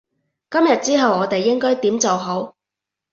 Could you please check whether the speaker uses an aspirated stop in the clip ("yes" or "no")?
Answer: no